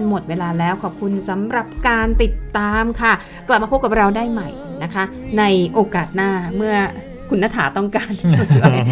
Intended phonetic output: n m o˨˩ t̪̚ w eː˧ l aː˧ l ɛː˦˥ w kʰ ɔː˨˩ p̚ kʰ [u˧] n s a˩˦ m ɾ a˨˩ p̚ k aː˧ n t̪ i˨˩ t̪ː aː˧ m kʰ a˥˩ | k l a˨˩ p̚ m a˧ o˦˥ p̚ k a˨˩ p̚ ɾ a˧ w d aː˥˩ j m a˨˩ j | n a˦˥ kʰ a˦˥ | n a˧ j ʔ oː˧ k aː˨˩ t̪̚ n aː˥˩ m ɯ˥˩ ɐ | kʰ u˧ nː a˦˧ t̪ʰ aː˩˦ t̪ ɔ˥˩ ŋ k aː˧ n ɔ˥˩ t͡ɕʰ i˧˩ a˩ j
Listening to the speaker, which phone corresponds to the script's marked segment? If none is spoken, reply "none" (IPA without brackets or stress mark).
u˧